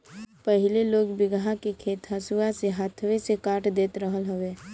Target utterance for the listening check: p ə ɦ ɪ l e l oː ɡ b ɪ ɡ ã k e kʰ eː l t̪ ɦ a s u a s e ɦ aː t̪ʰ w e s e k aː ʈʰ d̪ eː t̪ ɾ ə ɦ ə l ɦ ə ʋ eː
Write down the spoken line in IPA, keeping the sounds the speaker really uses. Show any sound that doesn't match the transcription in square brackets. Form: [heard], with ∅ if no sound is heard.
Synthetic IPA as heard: p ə ɦ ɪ l e l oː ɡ b ɪ ɡ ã k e kʰ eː [∅] t̪ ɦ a s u a s e ɦ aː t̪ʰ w e s e k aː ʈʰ d̪ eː t̪ ɾ ə ɦ ə l ɦ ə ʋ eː